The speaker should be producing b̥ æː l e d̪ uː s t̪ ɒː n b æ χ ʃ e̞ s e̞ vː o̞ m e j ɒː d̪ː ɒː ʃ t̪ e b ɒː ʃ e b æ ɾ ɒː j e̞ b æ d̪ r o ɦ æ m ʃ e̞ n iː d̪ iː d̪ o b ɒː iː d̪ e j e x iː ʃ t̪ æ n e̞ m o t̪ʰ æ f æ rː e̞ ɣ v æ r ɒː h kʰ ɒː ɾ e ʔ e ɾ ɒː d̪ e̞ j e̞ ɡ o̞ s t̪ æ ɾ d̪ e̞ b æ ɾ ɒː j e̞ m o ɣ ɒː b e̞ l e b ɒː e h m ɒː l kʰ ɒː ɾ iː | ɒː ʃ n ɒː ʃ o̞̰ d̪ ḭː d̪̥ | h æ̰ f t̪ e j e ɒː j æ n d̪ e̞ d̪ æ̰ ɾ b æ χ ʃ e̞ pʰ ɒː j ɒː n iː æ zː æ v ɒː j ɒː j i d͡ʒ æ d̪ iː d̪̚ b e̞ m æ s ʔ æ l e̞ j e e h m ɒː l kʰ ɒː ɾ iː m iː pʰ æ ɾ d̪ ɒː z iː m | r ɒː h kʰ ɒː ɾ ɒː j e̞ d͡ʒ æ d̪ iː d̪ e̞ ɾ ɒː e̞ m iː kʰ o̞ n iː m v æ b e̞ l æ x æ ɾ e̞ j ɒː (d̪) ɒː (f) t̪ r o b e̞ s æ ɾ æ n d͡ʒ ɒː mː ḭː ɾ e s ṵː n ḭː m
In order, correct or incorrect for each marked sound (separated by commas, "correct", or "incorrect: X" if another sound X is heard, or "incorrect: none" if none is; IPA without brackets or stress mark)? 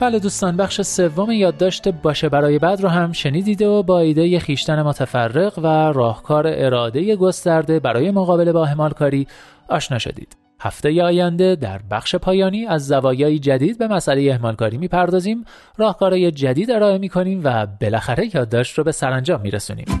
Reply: incorrect: d̪ː, incorrect: ʃ